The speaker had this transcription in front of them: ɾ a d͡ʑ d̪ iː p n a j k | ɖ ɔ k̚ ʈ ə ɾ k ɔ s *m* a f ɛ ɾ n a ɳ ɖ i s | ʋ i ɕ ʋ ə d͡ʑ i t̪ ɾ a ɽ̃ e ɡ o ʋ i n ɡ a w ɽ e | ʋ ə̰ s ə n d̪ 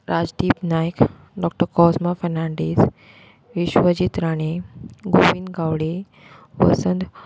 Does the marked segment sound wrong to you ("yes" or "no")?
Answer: no